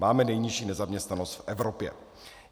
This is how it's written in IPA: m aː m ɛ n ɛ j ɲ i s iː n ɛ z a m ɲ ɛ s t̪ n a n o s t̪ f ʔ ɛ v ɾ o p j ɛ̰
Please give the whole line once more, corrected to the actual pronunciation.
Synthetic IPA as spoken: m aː m ɛ n ɛ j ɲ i ʃ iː n ɛ z a m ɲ ɛ s t̪ n a n o s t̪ f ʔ ɛ v ɾ o p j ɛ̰